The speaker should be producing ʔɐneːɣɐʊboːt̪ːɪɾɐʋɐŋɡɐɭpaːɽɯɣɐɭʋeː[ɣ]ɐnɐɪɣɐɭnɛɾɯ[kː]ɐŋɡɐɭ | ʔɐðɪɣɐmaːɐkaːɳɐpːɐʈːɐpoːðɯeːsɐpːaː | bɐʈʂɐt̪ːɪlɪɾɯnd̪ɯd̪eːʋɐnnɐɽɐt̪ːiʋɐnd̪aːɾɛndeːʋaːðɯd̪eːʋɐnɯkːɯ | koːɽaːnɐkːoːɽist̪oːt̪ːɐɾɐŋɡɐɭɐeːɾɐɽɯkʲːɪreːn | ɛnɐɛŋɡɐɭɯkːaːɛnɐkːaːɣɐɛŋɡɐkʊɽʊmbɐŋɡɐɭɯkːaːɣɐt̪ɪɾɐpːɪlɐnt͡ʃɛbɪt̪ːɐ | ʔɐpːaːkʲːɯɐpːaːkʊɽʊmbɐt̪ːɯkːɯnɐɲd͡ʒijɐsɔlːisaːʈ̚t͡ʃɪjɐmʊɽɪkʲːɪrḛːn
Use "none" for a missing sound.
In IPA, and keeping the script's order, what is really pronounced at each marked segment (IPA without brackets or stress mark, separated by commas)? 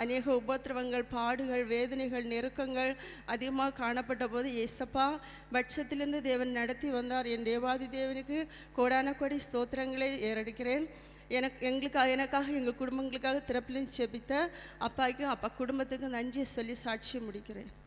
ð, kː